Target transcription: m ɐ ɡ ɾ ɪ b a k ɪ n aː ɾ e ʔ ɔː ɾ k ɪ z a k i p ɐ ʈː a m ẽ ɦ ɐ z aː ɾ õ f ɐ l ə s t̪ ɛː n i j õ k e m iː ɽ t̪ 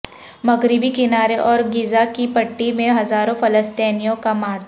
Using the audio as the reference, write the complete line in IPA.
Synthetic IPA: m ɐ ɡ ɾ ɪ b i k ɪ n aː ɾ e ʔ ɔː ɾ ɡ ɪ z a k i p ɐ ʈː i m ẽ ɦ ɐ z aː ɾ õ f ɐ l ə s t̪ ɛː n i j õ k a m aː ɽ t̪